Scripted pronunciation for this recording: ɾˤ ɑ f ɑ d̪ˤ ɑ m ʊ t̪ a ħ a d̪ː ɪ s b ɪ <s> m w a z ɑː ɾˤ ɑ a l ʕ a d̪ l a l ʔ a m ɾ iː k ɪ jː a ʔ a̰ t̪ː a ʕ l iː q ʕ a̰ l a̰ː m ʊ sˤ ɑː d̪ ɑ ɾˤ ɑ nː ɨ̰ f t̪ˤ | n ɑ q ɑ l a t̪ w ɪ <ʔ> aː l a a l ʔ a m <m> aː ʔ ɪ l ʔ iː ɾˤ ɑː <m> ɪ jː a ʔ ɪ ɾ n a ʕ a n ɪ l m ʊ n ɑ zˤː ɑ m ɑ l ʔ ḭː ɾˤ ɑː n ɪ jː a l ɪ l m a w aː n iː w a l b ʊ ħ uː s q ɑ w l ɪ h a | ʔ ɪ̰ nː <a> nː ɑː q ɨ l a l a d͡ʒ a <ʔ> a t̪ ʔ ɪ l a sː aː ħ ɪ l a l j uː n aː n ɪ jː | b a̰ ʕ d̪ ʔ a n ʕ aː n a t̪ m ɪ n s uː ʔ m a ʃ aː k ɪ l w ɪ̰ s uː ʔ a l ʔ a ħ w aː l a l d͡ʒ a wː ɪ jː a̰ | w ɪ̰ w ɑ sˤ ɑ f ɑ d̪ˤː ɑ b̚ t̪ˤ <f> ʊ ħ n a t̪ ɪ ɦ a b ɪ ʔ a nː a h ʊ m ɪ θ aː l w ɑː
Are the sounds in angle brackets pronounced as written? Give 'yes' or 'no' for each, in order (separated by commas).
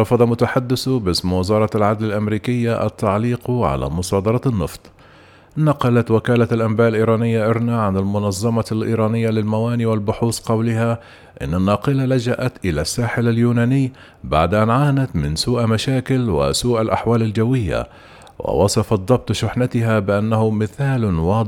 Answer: yes, no, no, no, yes, yes, no